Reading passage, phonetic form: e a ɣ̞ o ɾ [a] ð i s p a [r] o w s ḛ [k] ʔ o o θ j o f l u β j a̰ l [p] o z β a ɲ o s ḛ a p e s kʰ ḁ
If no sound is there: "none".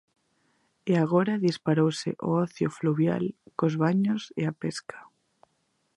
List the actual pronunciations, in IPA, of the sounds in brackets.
a, ɾ, none, k

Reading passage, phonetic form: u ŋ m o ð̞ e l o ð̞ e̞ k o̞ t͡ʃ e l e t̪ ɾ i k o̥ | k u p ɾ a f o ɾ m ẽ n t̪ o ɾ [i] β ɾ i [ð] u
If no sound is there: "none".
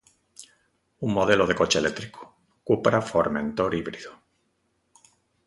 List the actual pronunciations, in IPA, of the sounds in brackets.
i, ð

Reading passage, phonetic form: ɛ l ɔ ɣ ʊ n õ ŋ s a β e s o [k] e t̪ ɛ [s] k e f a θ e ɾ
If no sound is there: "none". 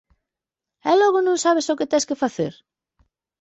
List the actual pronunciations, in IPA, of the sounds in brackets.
k, s

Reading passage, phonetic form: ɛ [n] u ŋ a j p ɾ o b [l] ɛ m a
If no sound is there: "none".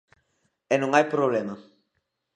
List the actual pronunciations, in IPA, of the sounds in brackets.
n, l

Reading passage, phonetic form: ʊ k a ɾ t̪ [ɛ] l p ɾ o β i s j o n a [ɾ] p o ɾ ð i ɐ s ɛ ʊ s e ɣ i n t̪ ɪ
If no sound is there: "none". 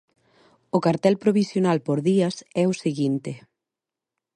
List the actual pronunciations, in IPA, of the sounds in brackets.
ɛ, l

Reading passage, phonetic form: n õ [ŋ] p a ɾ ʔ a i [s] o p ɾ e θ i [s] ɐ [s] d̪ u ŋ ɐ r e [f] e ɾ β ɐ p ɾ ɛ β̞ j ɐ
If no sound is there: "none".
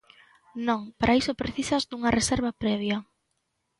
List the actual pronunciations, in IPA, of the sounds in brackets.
ŋ, s, s, z, s

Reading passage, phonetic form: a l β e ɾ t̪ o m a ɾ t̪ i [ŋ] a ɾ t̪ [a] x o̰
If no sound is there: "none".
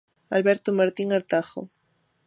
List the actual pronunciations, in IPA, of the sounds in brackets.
ŋ, a

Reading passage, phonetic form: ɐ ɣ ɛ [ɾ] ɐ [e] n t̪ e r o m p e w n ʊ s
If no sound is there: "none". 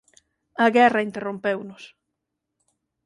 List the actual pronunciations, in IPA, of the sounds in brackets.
r, i

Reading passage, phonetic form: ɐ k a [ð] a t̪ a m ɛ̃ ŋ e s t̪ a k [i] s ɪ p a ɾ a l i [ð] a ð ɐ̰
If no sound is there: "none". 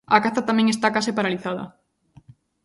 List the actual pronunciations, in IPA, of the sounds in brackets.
θ, a, θ

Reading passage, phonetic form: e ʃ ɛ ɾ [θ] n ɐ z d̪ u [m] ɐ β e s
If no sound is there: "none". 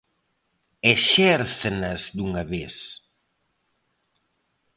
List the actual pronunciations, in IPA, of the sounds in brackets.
θ, ŋ

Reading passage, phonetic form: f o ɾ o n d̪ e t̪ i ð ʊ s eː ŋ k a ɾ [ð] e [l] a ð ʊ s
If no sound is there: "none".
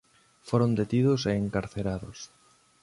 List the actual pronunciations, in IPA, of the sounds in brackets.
θ, ɾ

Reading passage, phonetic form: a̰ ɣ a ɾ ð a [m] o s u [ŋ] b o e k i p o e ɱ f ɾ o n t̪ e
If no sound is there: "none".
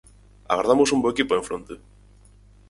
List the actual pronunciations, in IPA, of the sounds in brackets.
m, m

